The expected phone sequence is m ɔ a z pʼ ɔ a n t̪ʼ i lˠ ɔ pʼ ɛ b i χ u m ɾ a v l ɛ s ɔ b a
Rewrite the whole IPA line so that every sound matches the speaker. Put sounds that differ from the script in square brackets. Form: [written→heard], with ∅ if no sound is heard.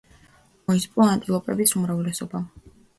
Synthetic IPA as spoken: m ɔ [a→i] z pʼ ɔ a n t̪ʼ i lˠ ɔ pʼ ɛ b i [χ→s] u m ɾ a v l ɛ s ɔ b a